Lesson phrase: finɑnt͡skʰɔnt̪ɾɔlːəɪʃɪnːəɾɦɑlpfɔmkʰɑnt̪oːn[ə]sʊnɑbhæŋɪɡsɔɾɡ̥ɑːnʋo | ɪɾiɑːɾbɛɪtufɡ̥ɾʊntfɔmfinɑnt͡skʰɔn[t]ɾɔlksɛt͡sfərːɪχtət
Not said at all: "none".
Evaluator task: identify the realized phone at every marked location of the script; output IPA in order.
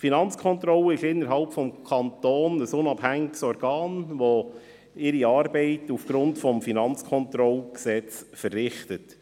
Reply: ə, t

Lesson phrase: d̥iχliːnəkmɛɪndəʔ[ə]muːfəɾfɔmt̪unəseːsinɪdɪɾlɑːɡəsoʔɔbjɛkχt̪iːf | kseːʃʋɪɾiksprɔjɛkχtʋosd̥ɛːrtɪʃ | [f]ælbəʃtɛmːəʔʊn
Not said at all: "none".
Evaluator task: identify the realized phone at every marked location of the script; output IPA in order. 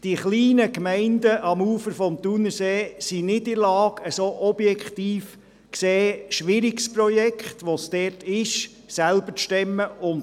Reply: ɑ, s

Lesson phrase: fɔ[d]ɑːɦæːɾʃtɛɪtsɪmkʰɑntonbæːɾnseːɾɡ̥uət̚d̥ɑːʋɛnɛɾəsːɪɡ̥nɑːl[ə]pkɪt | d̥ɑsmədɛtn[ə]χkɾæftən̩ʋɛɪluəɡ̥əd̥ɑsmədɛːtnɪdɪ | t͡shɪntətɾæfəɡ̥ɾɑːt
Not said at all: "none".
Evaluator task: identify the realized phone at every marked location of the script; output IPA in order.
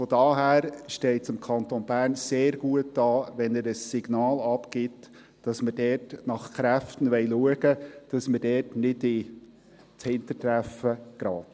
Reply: d, ɑ, ɑ

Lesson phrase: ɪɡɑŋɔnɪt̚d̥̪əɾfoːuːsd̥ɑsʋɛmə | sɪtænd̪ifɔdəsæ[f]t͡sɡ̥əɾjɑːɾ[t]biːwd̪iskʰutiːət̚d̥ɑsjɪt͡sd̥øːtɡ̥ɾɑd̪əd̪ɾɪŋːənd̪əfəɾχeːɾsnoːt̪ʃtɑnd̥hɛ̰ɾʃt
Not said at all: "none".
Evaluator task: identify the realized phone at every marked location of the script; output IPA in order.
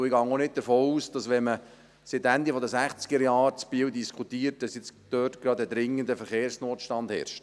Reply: χ, t͡s

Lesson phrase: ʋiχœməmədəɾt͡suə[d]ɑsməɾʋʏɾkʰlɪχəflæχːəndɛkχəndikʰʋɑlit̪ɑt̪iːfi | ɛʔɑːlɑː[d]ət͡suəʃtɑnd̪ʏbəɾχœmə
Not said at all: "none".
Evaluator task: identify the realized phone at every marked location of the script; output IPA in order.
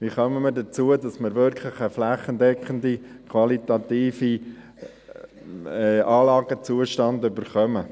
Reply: d, ɡ

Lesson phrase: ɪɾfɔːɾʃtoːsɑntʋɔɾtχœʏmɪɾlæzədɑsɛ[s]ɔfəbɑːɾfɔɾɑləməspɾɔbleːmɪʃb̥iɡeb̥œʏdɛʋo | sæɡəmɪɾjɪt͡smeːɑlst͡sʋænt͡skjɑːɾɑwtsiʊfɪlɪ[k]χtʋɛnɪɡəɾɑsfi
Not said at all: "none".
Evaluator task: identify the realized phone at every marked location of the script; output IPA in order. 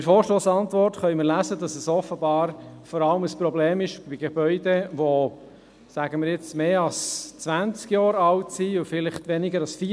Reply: s, none

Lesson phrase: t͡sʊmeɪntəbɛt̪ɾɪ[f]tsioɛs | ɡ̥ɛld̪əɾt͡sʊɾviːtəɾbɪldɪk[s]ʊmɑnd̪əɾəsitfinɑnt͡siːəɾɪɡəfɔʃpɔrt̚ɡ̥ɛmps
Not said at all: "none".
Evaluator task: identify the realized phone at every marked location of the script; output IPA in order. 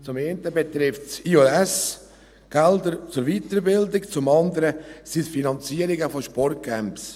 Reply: f, t͡s

